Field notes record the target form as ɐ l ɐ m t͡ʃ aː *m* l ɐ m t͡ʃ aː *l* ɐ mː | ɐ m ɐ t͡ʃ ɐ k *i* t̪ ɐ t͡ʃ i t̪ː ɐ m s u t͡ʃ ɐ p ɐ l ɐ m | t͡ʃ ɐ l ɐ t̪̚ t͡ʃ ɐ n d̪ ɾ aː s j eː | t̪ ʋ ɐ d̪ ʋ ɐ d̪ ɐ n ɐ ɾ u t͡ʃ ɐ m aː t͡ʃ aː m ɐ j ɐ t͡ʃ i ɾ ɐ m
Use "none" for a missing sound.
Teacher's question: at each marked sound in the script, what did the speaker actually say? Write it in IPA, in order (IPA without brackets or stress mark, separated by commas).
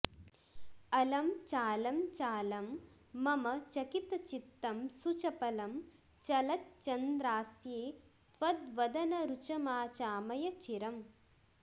none, l, i